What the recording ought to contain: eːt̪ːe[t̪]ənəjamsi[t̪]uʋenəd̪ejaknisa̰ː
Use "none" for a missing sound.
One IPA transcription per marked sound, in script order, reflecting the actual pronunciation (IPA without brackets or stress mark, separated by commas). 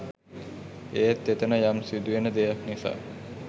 t̪, d̪